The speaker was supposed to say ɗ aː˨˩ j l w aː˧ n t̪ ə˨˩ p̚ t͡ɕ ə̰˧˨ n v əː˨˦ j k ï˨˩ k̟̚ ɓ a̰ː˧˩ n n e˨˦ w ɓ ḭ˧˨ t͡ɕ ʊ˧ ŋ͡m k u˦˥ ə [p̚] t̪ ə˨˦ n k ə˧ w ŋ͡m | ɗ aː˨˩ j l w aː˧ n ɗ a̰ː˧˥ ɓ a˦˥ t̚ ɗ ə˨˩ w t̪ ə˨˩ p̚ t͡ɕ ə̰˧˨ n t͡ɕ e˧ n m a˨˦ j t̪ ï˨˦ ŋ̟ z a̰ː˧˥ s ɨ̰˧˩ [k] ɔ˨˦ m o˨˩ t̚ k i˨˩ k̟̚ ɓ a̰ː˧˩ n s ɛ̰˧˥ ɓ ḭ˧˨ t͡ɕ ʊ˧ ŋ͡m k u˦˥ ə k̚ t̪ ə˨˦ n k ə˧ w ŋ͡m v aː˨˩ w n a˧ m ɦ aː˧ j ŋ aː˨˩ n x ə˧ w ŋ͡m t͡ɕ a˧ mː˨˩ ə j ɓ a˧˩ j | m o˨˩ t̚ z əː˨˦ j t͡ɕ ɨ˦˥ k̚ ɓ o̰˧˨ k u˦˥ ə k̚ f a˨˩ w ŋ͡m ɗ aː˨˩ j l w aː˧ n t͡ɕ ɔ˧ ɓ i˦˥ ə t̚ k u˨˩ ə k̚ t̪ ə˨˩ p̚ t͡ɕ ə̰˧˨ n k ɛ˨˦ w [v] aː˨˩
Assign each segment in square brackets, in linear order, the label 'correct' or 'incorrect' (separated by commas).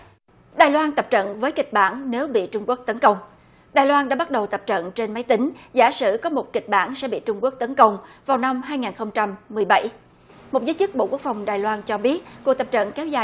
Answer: incorrect, correct, incorrect